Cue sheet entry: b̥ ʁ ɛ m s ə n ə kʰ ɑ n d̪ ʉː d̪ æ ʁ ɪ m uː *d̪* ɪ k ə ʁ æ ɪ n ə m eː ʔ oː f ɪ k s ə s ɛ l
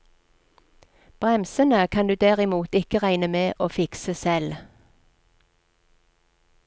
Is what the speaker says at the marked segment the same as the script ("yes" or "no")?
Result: no